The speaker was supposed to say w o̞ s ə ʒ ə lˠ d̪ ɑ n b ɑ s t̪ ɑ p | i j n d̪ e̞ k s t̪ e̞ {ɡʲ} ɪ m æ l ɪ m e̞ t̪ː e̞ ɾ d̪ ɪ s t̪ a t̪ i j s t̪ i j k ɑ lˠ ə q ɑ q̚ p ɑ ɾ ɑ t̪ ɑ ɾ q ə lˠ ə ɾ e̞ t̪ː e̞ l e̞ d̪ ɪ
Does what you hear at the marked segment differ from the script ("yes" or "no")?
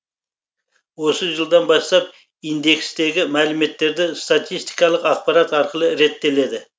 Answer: no